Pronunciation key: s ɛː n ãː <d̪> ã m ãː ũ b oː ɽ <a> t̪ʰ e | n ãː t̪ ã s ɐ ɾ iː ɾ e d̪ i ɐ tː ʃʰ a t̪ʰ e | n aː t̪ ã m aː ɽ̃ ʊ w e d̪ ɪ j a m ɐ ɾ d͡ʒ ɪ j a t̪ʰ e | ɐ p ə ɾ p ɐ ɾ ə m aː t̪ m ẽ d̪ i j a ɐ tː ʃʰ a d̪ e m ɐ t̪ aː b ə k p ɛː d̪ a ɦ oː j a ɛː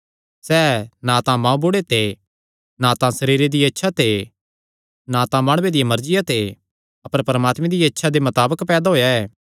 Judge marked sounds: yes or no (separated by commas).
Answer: no, no